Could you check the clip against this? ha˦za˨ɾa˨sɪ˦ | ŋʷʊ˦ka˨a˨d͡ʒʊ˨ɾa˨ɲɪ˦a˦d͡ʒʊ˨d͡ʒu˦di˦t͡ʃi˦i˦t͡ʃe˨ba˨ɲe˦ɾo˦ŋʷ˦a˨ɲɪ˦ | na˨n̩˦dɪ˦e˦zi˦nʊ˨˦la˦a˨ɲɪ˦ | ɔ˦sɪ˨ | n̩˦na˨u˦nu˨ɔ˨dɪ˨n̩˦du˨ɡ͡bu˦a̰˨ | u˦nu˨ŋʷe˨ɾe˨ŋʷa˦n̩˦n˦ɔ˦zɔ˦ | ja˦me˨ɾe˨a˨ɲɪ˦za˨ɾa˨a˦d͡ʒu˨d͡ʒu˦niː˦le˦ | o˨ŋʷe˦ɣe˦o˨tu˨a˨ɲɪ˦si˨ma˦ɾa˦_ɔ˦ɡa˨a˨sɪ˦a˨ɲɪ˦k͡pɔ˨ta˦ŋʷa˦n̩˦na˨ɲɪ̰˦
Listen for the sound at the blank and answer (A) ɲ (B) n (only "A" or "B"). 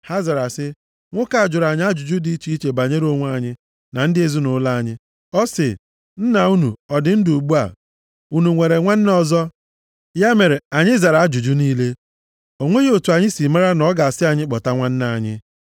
B